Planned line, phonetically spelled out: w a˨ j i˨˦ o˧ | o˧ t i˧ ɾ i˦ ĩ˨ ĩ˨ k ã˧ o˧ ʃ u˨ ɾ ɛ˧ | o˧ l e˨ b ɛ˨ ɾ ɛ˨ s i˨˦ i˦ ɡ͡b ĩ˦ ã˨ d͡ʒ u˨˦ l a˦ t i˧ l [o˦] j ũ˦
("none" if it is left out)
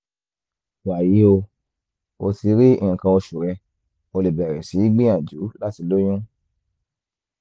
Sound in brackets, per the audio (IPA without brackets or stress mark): o˦